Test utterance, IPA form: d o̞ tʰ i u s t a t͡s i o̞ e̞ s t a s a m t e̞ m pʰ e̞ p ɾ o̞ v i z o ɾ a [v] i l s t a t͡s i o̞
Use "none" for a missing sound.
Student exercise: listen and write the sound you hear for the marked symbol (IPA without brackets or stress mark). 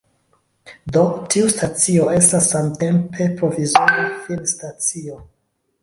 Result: f